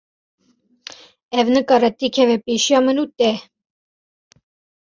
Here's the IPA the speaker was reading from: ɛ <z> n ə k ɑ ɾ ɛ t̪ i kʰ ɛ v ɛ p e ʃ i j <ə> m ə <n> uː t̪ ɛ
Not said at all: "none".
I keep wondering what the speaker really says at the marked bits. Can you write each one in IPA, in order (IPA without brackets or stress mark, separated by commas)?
v, ɑ, n